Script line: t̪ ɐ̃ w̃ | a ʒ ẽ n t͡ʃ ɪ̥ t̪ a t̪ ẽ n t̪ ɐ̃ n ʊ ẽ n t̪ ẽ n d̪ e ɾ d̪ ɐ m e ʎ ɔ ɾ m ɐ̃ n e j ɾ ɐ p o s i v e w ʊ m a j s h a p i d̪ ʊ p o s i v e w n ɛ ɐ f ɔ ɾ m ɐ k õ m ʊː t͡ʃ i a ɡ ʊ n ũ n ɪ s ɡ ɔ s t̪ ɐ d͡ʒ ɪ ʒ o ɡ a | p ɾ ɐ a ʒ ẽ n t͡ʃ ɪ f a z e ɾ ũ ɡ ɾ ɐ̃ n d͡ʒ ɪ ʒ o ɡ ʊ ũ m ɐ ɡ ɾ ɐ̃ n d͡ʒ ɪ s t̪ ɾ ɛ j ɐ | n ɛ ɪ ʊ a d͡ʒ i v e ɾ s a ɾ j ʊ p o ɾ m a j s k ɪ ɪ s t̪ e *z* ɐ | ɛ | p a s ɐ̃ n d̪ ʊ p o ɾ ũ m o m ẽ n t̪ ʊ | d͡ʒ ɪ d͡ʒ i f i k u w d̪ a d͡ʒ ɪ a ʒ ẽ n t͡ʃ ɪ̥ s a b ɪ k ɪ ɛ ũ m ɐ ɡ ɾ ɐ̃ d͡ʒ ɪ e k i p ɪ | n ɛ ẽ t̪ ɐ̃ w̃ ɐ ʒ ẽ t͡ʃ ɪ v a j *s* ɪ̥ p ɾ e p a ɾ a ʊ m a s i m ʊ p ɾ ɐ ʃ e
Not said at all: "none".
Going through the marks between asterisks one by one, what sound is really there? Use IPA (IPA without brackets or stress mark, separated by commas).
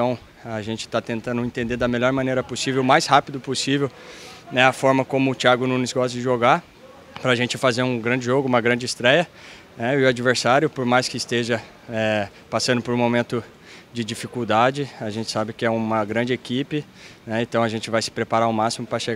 ʒ, s